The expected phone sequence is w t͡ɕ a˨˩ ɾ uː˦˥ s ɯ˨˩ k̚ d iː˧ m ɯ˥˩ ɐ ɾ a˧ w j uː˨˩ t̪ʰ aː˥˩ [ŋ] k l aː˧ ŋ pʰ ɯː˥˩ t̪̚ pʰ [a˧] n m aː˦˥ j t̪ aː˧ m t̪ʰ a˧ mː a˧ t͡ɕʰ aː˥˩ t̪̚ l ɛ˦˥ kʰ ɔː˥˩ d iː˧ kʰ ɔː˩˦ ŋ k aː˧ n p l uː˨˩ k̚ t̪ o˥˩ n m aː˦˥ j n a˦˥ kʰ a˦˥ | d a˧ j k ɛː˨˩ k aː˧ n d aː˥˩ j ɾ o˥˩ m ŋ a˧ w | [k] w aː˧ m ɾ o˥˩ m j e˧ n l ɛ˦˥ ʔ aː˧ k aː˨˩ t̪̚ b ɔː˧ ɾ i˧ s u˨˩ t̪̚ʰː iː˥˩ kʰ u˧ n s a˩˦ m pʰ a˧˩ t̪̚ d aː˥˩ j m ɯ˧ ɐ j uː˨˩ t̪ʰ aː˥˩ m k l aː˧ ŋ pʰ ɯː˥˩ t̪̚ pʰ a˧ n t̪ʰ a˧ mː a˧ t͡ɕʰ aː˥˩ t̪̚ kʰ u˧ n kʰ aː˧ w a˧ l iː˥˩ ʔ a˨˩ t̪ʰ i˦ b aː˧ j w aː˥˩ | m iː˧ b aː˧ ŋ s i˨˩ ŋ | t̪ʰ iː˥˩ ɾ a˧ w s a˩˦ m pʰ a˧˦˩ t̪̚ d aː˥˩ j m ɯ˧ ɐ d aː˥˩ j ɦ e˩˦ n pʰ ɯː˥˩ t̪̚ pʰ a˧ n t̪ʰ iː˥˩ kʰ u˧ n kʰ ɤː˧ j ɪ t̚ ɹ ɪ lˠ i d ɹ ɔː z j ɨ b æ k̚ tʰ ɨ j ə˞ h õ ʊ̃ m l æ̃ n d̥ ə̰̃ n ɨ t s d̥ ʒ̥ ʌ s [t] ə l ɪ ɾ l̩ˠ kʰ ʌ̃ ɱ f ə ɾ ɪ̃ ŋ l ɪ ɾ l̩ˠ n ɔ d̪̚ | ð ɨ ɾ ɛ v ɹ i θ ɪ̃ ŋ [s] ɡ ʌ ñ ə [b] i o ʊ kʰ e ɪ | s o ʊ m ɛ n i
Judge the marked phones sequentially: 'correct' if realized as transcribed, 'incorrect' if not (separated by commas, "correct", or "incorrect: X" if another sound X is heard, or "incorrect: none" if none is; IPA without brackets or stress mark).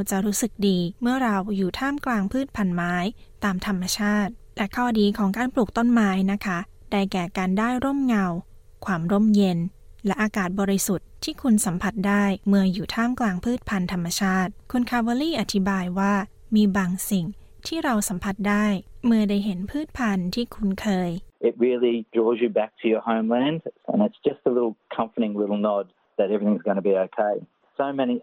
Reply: incorrect: m, correct, incorrect: kʰ, correct, incorrect: z, correct